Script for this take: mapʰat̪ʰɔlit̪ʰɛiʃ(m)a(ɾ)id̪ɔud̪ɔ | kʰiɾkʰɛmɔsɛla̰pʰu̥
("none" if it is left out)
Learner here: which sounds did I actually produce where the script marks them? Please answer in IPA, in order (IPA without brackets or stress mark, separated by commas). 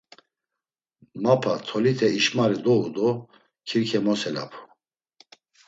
m, ɾ